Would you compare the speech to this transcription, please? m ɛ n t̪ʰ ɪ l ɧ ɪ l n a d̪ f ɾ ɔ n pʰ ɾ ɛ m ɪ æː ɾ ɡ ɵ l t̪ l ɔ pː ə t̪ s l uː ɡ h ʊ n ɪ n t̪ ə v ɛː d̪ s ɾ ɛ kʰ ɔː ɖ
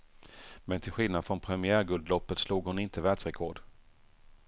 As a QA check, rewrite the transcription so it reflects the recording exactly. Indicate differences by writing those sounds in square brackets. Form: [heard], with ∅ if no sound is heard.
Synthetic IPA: m ɛ n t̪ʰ ɪ l ɧ ɪ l n a d̪ f ɾ ɔ n pʰ ɾ ɛ m ɪ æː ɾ ɡ ɵ l [d̪] l ɔ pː ə t̪ s l uː ɡ h ʊ n ɪ n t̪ ə v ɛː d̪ s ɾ ɛ kʰ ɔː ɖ